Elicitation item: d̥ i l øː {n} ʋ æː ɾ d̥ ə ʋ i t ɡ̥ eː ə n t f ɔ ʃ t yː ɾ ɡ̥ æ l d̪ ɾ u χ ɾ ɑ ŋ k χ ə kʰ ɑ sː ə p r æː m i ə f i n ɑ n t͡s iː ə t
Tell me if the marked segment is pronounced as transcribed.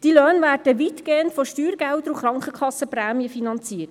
yes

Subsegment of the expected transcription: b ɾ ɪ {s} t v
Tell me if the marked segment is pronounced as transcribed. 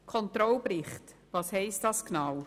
no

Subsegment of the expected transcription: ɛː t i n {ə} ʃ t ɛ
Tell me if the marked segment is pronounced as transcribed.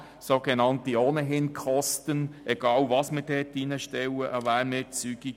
yes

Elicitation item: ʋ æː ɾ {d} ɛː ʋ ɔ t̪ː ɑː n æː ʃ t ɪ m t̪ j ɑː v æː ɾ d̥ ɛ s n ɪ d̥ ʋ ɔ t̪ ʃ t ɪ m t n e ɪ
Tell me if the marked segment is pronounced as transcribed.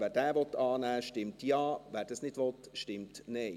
yes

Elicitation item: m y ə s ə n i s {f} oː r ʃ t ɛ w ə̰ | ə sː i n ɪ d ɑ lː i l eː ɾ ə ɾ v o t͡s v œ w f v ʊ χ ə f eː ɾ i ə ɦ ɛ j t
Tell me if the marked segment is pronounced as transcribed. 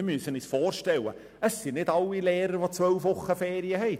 yes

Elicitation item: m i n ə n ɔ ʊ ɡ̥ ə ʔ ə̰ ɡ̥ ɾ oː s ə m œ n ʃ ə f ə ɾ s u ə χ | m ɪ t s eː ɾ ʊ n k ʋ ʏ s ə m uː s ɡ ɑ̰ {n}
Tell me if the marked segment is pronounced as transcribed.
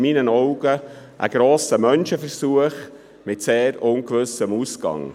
no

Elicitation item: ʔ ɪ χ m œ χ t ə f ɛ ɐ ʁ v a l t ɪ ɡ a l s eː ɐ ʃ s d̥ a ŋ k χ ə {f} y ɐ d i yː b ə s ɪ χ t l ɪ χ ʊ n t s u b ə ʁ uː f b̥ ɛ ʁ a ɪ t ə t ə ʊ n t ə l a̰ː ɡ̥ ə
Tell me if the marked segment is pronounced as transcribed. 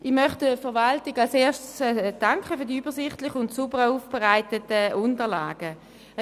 yes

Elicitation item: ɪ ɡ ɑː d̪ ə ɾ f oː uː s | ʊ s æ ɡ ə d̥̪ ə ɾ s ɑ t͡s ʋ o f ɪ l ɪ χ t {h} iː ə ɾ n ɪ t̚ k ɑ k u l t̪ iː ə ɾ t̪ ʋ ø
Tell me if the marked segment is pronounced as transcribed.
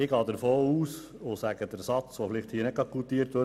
yes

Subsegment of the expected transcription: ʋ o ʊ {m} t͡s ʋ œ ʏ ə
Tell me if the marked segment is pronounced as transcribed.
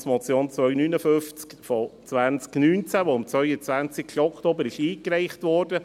yes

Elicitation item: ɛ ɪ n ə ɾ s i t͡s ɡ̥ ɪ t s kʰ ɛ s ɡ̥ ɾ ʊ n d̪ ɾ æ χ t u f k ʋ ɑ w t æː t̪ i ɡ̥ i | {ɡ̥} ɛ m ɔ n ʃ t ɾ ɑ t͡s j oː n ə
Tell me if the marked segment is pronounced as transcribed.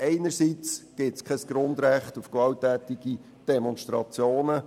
no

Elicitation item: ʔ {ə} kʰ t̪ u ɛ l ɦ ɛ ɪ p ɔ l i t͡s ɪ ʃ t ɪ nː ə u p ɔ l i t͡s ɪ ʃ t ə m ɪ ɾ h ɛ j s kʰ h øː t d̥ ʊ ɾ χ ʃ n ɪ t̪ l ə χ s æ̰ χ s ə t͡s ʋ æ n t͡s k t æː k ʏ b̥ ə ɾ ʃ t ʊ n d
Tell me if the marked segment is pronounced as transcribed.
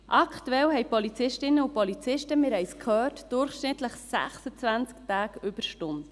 no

